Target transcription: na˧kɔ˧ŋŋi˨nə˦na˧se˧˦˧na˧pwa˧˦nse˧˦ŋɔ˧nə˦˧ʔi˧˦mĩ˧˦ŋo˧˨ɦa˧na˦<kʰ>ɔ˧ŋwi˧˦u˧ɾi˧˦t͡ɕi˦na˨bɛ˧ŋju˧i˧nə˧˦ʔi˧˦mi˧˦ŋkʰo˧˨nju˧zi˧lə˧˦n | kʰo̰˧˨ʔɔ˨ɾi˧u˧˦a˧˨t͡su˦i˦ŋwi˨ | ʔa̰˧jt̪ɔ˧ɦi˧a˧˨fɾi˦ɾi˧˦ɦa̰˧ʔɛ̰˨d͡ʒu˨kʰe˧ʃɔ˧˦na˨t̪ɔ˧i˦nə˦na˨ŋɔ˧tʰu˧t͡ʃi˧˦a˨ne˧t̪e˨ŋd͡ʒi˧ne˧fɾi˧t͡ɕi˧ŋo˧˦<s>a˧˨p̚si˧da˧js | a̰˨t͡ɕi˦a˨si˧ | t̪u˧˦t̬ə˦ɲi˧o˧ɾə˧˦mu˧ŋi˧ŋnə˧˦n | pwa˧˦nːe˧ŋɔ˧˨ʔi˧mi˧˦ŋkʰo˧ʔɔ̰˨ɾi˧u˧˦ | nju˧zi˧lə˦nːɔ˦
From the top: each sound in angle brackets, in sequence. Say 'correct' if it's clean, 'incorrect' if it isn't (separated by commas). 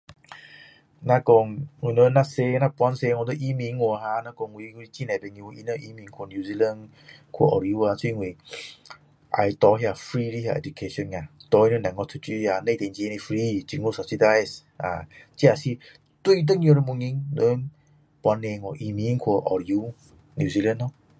incorrect, correct